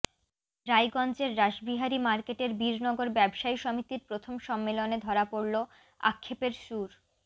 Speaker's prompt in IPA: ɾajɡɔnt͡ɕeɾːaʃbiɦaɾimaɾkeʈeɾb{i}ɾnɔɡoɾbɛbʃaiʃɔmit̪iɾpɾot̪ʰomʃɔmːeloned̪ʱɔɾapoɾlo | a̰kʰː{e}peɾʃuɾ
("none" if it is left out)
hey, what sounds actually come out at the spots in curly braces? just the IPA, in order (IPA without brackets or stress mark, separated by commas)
i, e